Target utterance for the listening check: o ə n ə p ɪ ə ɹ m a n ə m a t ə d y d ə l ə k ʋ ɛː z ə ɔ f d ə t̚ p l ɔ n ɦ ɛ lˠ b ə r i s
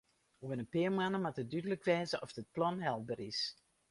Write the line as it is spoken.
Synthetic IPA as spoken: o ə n ə p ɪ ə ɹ m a n ə m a t ə d y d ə l ə k ʋ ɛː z ə ɔ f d ə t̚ p l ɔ n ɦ ɛ lˠ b ə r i s

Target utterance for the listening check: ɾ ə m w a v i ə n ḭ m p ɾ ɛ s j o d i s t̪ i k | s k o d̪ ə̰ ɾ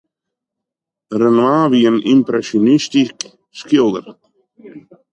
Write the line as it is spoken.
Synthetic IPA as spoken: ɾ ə n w a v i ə n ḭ m p ɾ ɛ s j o n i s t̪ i k | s k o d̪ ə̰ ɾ

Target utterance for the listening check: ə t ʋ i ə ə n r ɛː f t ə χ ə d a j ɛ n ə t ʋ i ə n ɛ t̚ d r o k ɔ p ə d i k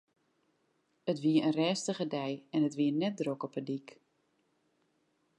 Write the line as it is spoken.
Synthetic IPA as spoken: ə t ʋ i ə ə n r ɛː s t ə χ ə d ɛ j ɛ n ə t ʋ i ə n ɛ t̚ d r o k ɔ p ə d i k

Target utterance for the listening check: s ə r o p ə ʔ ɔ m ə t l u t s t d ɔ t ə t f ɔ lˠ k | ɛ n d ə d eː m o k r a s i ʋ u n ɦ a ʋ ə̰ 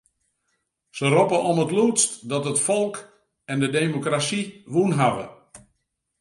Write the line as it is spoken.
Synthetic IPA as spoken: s ə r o p ə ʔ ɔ m ə t l u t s t d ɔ t ə t f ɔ lˠ k | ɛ n d ə d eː m o k r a s i ʋ u n ɦ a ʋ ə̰

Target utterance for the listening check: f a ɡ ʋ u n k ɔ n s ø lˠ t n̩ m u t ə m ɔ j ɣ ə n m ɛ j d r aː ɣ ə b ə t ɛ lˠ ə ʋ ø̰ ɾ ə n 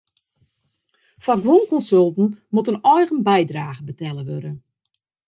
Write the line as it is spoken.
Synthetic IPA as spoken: f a ɡ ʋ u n k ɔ n s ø lˠ t n̩ m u t ə n ɔ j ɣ ə n b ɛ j d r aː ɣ ə b ə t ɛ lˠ ə ʋ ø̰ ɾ ə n

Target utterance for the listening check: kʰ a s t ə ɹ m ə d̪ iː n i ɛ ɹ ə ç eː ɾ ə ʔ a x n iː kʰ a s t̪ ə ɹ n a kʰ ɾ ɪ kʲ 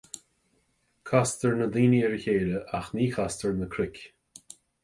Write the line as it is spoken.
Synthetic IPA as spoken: kʰ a s t ə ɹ n ə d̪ iː n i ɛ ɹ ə ç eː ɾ ə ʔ a x n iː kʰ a s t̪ ə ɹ n ə kʰ ɾ ɪ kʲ

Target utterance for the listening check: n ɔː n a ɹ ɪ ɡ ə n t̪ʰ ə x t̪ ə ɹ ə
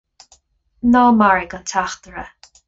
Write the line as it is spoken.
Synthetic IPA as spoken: n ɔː m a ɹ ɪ ɡ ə n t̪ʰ a x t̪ ə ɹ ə

